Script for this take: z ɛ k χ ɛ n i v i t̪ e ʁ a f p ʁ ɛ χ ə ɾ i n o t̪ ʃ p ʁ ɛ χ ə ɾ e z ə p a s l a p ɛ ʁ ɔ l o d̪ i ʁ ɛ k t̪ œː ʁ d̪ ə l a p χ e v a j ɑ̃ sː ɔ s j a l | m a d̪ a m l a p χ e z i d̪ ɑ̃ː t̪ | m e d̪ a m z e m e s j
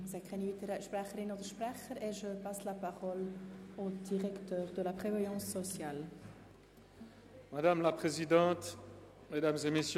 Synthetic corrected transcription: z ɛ k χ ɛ n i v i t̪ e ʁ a ʃ p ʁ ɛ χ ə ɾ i n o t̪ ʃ p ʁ ɛ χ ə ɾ e ʒ ə p a s l a p a ʁ ɔ l o d̪ i ʁ ɛ k t̪ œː ʁ d̪ ə l a p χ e v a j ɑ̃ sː ɔ s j a l | m a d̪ a m l a p χ e z i d̪ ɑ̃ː t̪ | m e d̪ a m z e m e s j

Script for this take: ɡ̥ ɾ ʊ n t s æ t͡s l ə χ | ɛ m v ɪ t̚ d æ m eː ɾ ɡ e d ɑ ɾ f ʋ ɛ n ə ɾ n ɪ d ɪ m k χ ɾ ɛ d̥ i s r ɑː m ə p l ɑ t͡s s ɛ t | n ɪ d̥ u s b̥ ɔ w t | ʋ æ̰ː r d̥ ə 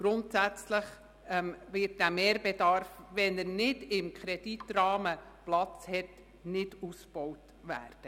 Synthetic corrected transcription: ɡ̥ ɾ ʊ n t s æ t͡s l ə χ | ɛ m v ɪ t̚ d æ m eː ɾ b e d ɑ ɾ f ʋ ɛ n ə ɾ n ɪ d ɪ m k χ ɾ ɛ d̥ i t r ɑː m ə p l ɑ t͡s h ɛ t | n ɪ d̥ u s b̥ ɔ w t | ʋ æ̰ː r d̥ ə

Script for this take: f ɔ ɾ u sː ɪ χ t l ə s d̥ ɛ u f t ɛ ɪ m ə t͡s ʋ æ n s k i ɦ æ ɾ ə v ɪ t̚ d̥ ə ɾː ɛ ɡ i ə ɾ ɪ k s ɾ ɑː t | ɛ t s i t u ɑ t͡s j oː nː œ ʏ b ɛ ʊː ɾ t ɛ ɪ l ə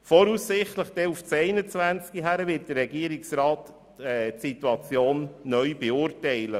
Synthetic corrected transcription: f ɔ ɾ u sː ɪ χ t l ə χ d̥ ɛ u f t͡s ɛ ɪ n ə t͡s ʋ æ n t͡s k i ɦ æ ɾ ə v ɪ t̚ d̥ ə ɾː ɛ ɡ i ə ɾ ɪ k s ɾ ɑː t | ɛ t s i t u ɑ t͡s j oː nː œ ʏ b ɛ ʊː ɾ t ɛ ɪ l ə

